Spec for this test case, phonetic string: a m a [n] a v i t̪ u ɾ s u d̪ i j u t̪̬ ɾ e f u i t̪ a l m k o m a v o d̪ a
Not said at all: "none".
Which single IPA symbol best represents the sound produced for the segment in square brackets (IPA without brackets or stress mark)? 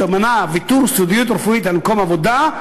n